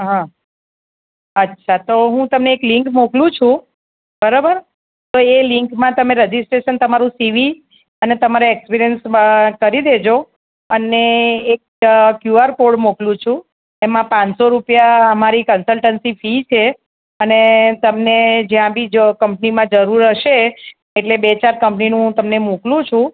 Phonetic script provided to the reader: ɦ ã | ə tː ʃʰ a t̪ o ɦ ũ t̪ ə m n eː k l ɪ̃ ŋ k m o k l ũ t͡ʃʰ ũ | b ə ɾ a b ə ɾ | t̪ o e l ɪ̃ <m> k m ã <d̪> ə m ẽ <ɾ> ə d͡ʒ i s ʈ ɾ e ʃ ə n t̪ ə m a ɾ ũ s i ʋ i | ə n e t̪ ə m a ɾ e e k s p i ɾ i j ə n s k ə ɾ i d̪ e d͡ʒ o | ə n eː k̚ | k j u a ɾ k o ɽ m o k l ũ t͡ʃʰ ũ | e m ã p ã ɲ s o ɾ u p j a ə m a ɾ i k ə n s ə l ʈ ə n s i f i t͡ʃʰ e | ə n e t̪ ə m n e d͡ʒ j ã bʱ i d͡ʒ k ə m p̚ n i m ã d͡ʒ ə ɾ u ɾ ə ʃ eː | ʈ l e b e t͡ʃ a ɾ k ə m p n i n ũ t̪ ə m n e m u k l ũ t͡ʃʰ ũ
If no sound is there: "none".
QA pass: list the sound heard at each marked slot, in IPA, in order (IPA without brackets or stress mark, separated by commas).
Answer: ŋ, t̪, ɾ